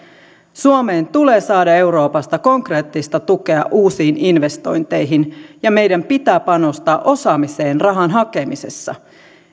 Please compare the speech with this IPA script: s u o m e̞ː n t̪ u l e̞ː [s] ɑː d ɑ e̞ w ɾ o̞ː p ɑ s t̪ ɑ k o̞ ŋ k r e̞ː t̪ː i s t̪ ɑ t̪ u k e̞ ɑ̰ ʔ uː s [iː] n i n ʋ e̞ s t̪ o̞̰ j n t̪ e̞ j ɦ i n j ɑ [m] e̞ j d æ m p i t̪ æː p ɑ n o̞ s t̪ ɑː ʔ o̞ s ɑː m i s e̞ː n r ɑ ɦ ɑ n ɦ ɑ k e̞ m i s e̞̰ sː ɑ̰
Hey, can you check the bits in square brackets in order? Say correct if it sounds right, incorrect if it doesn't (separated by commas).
correct, correct, correct